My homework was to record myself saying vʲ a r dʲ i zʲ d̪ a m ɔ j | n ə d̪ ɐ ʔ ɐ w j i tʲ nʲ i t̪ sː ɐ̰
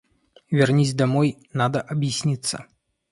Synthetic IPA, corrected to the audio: vʲ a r nʲ i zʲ d̪ a m ɔ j | n a d̪ ɐ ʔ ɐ b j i sʲ nʲ i t̪ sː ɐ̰

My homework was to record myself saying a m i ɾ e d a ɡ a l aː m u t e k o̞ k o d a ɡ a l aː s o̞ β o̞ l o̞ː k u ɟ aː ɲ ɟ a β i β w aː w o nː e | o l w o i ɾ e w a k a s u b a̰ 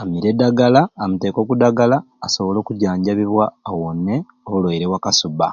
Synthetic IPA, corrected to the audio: a m i ɾ e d a ɡ a l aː m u t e k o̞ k u d a ɡ a l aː s o̞ β o̞ l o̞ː k u ɟ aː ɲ ɟ a β i β w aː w o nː e | o l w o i ɾ e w a k a s u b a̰

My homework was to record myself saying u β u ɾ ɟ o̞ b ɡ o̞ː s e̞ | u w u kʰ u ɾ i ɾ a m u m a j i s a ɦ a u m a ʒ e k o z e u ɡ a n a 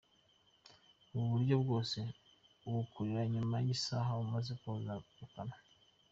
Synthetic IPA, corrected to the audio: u β u ɾ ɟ o̞ b ɡ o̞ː s e̞ | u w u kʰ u ɾ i ɾ a ɲ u m a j i s a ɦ a u m a z e k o z a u k a n a

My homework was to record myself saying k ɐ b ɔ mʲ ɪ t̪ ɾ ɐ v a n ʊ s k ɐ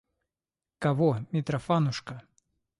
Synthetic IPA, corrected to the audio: k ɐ v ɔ mʲ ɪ t̪ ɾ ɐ f a n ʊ ʂ k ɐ

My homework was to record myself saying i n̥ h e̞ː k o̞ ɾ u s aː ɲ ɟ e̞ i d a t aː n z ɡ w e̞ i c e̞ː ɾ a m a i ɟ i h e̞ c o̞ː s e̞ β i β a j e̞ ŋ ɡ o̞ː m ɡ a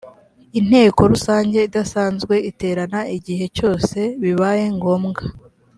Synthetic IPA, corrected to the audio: i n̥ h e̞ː k o̞ ɾ u s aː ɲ ɟ e̞ i d a s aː n z ɡ w e̞ i t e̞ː ɾ a n a i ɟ i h e̞ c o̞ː s e̞ β i β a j e̞ ŋ ɡ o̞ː m ɡ a

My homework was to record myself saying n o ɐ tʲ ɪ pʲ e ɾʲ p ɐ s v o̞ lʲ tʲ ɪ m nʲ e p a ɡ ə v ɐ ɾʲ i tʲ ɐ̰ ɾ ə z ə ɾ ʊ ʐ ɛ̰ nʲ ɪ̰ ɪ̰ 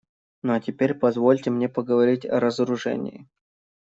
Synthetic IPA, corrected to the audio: n o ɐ tʲ ɪ pʲ e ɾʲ p ɐ z v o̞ lʲ tʲ ɪ m nʲ e p ə ɡ ə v ɐ ɾʲ i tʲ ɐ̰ ɾ ə z ə ɾ ʊ ʐ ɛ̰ nʲ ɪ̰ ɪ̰

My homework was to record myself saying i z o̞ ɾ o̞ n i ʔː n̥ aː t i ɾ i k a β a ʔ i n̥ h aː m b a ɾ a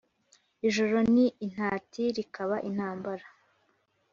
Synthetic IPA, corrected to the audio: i ʒ o̞ ɾ o̞ n i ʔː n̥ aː t i ɾ i k a β a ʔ i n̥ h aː m b a ɾ a

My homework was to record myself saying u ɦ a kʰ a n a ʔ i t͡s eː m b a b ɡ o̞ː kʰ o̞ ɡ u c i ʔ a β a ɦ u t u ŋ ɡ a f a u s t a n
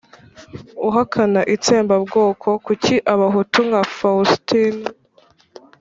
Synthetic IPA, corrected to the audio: u ɦ a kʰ a n a ʔ i t͡s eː m b a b ɡ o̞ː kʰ o̞ k u c i ʔ a β a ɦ u t u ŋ ɡ a f a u s t i n

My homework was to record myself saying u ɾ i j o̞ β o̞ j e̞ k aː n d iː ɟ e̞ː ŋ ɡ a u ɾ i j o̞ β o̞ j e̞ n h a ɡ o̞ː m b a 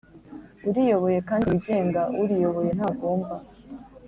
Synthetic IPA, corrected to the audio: u ɾ i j o̞ β o̞ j e̞ k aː n d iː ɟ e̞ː ŋ ɡ a u ɾ i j o̞ β o̞ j e̞ n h a ɡ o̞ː m b a

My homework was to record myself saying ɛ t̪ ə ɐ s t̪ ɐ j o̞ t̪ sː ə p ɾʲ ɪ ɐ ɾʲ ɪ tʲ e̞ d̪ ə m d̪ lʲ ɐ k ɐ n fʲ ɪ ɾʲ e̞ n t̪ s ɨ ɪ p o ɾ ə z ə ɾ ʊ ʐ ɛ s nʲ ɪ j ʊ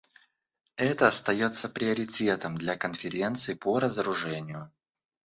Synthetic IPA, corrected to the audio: ɛ t̪ ə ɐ s t̪ ɐ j o̞ t̪ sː ə p ɾʲ ɪ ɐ ɾʲ ɪ tʲ e̞ t̪ ə m d̪ lʲ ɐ k ə n fʲ ɪ ɾʲ e̞ n t̪ s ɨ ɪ p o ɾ ə z ə ɾ ʊ ʐ ɛ nʲ ɪ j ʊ

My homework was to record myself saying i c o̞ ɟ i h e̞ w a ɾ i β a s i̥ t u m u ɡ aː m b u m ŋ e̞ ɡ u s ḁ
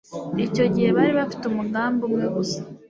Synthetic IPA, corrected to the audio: i c o̞ ɟ i h e̞ β a ɾ i β a f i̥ t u m u ɡ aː m b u m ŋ e̞ ɡ u s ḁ

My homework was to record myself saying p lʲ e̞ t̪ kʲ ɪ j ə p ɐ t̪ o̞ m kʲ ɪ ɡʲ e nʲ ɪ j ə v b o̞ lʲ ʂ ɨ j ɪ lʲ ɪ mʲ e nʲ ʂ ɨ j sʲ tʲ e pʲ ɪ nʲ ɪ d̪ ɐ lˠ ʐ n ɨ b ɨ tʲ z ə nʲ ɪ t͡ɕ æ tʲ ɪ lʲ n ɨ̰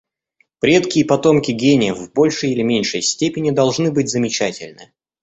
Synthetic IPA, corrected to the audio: p ɾʲ e̞ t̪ kʲ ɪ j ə p ɐ t̪ o̞ m kʲ ɪ ɡʲ e nʲ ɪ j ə v b o̞ lʲ ʂ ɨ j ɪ lʲ ɪ mʲ e nʲ ʂ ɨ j sʲ tʲ e pʲ ɪ nʲ ɪ d̪ ɐ lˠ ʐ n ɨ b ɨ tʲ z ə mʲ ɪ t͡ɕ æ tʲ ɪ lʲ n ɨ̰

